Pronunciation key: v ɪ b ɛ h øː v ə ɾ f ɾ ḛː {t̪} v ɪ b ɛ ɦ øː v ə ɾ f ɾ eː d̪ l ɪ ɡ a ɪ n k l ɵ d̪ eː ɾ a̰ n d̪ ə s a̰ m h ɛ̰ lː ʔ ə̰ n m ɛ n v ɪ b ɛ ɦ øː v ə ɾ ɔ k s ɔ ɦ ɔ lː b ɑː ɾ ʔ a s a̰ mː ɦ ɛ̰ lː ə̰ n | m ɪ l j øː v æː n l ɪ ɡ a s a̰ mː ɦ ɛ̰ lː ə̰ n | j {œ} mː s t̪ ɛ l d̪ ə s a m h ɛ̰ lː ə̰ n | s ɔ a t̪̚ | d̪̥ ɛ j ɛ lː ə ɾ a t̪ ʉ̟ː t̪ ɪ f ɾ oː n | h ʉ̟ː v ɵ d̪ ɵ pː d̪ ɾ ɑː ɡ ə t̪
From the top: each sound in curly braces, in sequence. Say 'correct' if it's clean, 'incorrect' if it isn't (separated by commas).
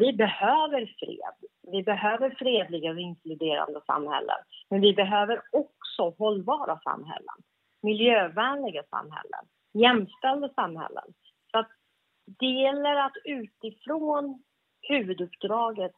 incorrect, incorrect